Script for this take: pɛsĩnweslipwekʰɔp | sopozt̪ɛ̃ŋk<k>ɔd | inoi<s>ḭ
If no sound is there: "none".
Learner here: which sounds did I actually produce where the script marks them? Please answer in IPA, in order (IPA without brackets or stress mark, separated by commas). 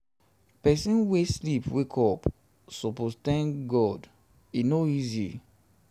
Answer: ɡ, z